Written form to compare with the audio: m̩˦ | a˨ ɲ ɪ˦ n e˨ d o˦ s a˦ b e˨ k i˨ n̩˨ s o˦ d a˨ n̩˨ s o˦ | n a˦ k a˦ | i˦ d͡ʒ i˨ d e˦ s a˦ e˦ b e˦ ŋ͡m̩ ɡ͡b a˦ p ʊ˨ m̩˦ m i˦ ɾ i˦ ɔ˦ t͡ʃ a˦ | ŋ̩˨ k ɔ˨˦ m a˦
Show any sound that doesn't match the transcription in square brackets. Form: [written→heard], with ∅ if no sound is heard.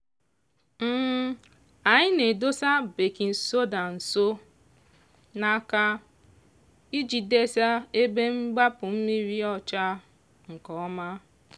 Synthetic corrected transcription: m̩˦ | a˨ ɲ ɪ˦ n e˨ d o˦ s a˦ b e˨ k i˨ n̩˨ s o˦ d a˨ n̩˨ s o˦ | n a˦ k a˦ | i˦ d͡ʒ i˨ d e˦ s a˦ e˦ b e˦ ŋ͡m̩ ɡ͡b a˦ p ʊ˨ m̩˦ m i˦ ɾ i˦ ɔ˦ t͡ʃ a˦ | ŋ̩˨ k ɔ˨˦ m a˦

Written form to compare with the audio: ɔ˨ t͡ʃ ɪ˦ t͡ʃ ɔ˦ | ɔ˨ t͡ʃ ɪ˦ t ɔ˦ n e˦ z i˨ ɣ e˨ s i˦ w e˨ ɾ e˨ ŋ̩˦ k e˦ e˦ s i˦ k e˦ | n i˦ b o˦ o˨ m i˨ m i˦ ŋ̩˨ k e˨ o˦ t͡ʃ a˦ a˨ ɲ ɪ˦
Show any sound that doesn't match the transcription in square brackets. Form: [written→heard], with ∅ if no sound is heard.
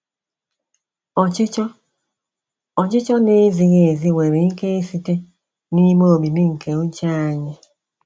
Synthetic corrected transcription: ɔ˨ t͡ʃ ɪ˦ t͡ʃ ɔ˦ | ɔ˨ t͡ʃ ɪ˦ [t→t͡ʃ] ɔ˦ n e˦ z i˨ ɣ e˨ [s→z] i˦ w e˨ ɾ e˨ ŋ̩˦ k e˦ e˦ s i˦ [k→t] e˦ | n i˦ [b→m] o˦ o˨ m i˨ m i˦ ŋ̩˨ k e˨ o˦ t͡ʃ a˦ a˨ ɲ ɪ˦

